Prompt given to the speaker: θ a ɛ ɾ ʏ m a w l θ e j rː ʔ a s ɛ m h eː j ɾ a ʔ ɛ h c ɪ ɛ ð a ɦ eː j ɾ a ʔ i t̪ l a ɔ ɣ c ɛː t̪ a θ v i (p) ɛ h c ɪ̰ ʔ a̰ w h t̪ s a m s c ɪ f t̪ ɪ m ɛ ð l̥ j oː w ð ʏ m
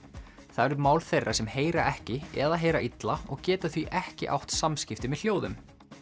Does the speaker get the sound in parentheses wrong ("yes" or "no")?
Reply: yes